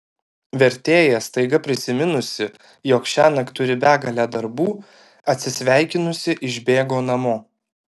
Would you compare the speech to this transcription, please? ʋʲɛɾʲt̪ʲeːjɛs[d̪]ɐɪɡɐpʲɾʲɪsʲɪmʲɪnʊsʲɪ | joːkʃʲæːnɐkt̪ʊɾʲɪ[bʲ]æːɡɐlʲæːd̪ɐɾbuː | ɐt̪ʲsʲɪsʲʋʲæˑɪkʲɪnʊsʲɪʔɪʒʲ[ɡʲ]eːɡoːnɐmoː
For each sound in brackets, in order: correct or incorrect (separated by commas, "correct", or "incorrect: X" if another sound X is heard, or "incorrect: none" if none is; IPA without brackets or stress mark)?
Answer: incorrect: t̪, correct, incorrect: bʲ